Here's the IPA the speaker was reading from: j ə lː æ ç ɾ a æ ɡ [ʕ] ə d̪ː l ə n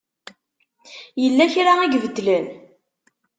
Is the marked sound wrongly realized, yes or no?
yes